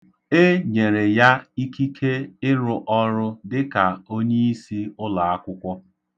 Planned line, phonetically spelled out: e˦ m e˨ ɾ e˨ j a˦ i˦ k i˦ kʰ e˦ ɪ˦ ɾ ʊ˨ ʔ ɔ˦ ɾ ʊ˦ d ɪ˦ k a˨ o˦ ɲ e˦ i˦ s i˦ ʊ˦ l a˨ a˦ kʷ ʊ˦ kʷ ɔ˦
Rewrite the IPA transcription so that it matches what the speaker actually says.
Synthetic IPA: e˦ ɲ e˨ ɾ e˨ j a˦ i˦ k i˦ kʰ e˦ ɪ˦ ɾ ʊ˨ ʔ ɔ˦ ɾ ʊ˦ d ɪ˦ k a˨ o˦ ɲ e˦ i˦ s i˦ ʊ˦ l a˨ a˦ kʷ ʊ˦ kʷ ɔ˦